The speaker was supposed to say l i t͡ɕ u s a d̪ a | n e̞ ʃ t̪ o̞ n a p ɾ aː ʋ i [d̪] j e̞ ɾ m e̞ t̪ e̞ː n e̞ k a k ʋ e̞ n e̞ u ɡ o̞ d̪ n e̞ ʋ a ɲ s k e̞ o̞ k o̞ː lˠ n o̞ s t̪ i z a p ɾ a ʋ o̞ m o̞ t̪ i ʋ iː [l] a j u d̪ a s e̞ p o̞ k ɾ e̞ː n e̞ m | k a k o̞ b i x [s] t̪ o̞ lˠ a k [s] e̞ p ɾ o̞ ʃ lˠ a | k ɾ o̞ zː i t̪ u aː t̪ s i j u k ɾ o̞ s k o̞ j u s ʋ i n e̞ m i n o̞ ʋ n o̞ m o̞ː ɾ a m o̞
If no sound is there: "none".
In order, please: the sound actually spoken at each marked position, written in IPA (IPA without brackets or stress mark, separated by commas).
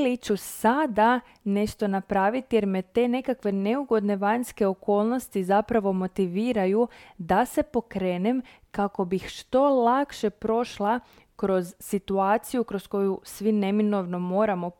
t̪, ɾ, ʃ, ʃ